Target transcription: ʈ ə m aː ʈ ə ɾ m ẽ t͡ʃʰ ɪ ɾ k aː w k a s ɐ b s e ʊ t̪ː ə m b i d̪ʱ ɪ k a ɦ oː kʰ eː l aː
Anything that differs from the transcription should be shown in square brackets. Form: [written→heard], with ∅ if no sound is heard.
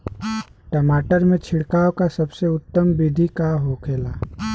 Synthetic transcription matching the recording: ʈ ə m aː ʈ ə ɾ m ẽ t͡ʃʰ ɪ [ɾ→ɽ] k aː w k a s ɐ b s e ʊ t̪ː ə m b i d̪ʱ [ɪ→i] k a ɦ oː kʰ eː l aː